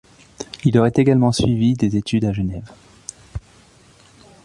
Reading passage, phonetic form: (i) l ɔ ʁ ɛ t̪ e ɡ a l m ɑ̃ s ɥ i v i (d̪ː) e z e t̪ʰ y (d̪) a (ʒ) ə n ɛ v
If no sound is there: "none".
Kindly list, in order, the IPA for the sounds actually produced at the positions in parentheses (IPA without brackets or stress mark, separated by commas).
i, d̪, d̪, ʒ